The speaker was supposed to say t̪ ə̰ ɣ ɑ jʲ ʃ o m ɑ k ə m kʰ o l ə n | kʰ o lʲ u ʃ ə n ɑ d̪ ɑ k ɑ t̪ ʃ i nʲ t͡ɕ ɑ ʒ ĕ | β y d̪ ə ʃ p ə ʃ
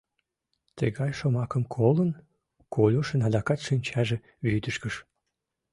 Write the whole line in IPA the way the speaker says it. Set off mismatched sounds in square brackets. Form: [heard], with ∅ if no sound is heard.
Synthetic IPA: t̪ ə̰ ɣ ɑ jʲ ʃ o m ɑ k ə m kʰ o l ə n | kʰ o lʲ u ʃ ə n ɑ d̪ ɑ k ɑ t̪ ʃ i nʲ t͡ɕ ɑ ʒ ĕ | β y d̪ ə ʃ [k] ə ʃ